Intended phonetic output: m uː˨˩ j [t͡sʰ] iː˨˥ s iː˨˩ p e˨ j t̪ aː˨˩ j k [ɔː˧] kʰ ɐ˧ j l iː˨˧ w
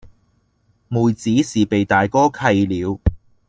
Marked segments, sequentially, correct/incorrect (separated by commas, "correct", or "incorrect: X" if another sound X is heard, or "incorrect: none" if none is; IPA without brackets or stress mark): incorrect: t͡s, incorrect: ɔː˥